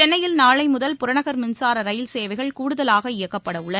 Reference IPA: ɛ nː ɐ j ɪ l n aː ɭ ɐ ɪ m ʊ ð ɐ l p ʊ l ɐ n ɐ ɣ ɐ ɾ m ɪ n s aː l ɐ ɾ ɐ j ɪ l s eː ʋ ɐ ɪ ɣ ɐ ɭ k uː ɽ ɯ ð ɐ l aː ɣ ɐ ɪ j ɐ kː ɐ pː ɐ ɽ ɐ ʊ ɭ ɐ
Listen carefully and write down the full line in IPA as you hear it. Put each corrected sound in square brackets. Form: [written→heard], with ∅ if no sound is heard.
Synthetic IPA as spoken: ɛ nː ɐ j ɪ l n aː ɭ ɐ ɪ m ʊ ð ɐ l p ʊ [l→ɾ] ɐ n ɐ ɣ ɐ ɾ m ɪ n s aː [l→ɾ] ɐ ɾ ɐ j ɪ l s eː ʋ ɐ ɪ ɣ ɐ ɭ k uː ɽ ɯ ð ɐ l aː ɣ ɐ ɪ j ɐ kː ɐ pː ɐ ɽ ɐ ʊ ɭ ɐ

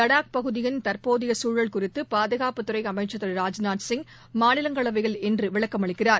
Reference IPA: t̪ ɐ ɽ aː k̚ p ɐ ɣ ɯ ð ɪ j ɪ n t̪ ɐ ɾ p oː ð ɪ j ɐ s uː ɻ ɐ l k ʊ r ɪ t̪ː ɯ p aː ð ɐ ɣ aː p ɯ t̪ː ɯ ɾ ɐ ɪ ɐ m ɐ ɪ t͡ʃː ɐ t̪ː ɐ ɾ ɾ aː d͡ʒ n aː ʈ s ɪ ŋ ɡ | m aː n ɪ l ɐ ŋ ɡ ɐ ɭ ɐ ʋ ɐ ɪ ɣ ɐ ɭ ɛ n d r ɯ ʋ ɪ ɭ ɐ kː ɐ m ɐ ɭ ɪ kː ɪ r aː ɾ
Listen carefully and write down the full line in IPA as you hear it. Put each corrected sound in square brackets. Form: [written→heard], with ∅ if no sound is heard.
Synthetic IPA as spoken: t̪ ɐ ɽ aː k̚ p ɐ ɣ ɯ ð ɪ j ɪ n t̪ ɐ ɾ p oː ð ɪ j ɐ s uː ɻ ɐ [l→ɭ] k ʊ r ɪ t̪ː ɯ p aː ð ɐ ɣ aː p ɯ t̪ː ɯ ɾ ɐ ɪ ɐ m ɐ ɪ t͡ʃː ɐ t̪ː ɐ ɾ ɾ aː d͡ʒ n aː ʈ s ɪ ŋ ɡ | m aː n ɪ l ɐ ŋ ɡ ɐ ɭ ɐ ʋ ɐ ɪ ɣ ɐ ɭ ɛ n d r ɯ ʋ ɪ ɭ ɐ kː ɐ m ɐ ɭ ɪ kː ɪ r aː ɾ

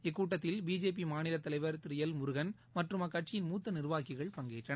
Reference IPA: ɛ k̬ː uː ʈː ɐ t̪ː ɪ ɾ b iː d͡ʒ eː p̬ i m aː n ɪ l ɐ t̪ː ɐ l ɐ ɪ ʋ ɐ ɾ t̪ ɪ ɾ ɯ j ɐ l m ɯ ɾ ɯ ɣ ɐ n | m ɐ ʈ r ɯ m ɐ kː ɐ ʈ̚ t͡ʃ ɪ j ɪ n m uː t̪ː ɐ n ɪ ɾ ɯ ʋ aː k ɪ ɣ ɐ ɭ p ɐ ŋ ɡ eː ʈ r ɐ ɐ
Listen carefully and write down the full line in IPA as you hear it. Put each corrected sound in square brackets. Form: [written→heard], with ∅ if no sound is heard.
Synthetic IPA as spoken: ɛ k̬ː uː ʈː ɐ t̪ː ɪ [ɾ→l] b iː d͡ʒ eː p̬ i m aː n ɪ l ɐ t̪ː ɐ l ɐ ɪ ʋ ɐ ɾ t̪ ɪ ɾ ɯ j ɐ l m [ɯ→ʊ] ɾ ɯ ɣ ɐ n | m ɐ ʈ r ɯ m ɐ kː ɐ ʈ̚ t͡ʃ ɪ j ɪ n m uː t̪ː ɐ n ɪ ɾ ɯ ʋ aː k ɪ ɣ ɐ ɭ p ɐ ŋ ɡ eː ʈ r ɐ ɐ

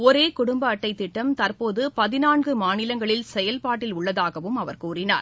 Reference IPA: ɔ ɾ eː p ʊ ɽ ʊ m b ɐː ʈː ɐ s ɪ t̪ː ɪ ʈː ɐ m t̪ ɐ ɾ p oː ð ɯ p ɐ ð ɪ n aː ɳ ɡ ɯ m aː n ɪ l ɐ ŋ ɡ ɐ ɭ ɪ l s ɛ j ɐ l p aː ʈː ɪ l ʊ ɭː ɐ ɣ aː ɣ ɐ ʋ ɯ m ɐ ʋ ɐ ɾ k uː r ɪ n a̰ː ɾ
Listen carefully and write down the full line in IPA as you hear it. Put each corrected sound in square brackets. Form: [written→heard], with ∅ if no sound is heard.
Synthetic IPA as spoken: ɔ ɾ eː [p→k] ʊ ɽ ʊ m b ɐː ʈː ɐ [s→∅] ɪ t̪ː ɪ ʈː ɐ m t̪ ɐ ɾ p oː ð ɯ p ɐ ð ɪ n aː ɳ ɡ ɯ m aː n ɪ l ɐ ŋ ɡ ɐ ɭ ɪ l s ɛ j ɐ l p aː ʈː ɪ l ʊ ɭː ɐ [ɣ→ð] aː ɣ ɐ ʋ ɯ m ɐ ʋ ɐ ɾ k uː r ɪ n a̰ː ɾ

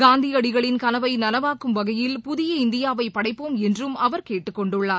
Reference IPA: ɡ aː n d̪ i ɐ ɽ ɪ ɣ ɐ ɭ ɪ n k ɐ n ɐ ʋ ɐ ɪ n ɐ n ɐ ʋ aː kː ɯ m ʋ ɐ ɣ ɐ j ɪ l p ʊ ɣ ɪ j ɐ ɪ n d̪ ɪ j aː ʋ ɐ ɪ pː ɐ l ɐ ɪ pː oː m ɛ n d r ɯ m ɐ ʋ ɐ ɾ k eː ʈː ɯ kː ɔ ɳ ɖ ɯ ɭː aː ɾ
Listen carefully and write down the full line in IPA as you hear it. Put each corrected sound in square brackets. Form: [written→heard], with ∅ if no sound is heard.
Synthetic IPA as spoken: ɡ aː n d̪ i ɐ ɽ ɪ ɣ ɐ ɭ ɪ n k ɐ n ɐ ʋ ɐ ɪ n ɐ n ɐ ʋ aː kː ɯ m ʋ ɐ ɣ ɐ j ɪ l p ʊ [ɣ→ð] ɪ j ɐ ɪ n d̪ ɪ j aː ʋ ɐ ɪ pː ɐ [l→ɽ] ɐ ɪ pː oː m ɛ n d r ɯ m ɐ ʋ ɐ ɾ k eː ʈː ɯ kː ɔ ɳ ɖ ɯ ɭː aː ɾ

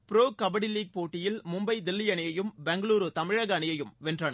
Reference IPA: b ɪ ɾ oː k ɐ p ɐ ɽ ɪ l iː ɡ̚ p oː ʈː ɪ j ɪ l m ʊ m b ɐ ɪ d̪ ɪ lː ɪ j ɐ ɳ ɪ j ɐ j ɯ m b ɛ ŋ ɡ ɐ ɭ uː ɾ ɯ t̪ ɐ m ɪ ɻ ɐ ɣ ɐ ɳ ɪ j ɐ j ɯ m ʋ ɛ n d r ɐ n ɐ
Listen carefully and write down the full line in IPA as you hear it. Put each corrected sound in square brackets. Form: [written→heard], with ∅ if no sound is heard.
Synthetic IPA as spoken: [b→p] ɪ ɾ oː k ɐ [p→b] ɐ ɽ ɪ l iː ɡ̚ p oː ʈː ɪ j ɪ l m ʊ m b ɐ ɪ d̪ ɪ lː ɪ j ɐ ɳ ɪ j ɐ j ɯ m b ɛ ŋ ɡ ɐ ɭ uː ɾ ɯ t̪ ɐ m ɪ ɻ ɐ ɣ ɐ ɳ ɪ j ɐ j ɯ m ʋ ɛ n d r ɐ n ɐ

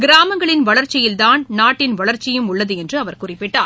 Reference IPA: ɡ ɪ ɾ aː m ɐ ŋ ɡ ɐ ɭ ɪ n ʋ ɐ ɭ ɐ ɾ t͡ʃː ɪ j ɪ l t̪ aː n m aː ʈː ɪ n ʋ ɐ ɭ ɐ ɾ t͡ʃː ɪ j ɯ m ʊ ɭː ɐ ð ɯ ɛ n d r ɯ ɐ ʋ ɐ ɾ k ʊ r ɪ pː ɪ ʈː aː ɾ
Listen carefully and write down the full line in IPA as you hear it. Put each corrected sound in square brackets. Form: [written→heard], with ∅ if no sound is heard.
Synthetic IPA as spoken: ɡ ɪ ɾ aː m ɐ ŋ ɡ ɐ ɭ ɪ n ʋ ɐ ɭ ɐ ɾ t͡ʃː ɪ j ɪ l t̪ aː n [m→n] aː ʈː ɪ n ʋ ɐ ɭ ɐ ɾ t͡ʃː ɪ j ɯ m ʊ ɭː ɐ ð ɯ ɛ n d r ɯ ɐ ʋ ɐ ɾ k ʊ r ɪ pː ɪ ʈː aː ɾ

